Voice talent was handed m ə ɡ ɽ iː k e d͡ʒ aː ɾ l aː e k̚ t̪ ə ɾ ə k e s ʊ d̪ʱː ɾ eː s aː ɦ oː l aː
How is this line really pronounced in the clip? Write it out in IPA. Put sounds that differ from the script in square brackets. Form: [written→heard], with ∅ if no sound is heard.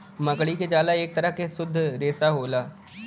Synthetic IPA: m ə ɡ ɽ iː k e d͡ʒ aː [ɾ→∅] l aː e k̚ t̪ ə ɾ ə k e s ʊ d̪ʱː ɾ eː s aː ɦ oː l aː